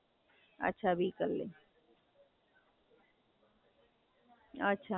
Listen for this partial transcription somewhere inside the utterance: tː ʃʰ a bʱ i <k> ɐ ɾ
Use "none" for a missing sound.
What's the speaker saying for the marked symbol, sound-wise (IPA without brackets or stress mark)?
k